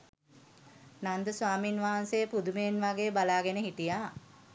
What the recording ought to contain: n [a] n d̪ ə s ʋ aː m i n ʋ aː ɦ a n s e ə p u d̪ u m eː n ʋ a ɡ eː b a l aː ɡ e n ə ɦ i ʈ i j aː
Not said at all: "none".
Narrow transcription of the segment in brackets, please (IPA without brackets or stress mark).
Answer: a